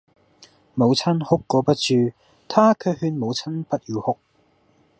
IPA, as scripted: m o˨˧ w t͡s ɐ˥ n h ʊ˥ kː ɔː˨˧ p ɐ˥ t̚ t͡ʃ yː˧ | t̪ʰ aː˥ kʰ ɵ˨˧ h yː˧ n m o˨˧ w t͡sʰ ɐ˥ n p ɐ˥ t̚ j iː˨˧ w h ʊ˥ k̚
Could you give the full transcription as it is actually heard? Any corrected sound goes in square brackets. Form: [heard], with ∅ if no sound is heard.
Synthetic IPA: m o˨˧ w [t͡sʰ] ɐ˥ n h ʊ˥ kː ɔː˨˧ p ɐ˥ t̚ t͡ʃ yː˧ | t̪ʰ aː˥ kʰ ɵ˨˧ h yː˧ n m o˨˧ w t͡sʰ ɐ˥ n p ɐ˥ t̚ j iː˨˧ w h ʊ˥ k̚